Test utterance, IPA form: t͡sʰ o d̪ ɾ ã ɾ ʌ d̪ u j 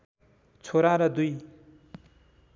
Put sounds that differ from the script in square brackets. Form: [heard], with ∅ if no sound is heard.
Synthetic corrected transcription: t͡sʰ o [∅] ɾ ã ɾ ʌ d̪ u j